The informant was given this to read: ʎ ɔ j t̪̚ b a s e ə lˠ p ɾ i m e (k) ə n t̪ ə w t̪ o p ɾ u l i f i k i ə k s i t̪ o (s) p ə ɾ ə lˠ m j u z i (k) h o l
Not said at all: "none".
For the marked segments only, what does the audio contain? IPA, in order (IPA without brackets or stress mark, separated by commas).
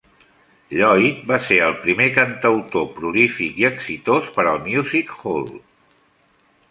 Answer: k, s, k